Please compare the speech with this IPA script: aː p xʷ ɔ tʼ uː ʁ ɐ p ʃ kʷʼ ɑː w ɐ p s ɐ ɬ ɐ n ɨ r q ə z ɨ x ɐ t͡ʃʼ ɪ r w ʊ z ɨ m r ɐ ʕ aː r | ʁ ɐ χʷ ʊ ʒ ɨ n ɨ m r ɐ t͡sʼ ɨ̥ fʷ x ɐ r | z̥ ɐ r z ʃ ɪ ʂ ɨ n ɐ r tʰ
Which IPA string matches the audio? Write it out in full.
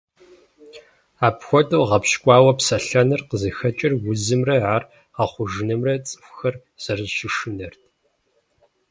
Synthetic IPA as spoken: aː p xʷ ɔ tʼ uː ʁ ɐ p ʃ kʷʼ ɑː w ɐ p s ɐ ɬ ɐ n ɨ r q ə z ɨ x ɐ t͡ʃʼ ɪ r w ʊ z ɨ m r ɐ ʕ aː r | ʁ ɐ χʷ ʊ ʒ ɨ n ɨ m r ɐ t͡sʼ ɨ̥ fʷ x ɐ r | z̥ ɐ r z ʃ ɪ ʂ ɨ n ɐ r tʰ